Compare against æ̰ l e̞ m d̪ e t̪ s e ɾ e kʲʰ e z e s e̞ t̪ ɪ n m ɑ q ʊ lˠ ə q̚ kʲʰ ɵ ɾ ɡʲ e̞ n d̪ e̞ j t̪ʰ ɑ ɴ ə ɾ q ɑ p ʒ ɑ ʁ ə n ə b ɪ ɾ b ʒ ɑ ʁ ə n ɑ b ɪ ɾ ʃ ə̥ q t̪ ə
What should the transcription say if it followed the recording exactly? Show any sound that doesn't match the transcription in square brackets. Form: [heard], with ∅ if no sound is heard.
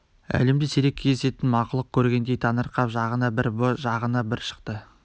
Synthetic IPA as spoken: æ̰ l e̞ m d̪ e [∅] s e ɾ e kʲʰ e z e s e̞ t̪ ɪ n m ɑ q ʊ lˠ ə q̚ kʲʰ ɵ ɾ ɡʲ e̞ n d̪ e̞ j t̪ʰ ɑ [n] ə ɾ q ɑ p ʒ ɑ ʁ ə n [ɑ] b ɪ ɾ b ʒ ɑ ʁ ə n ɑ b ɪ ɾ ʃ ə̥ q t̪ ə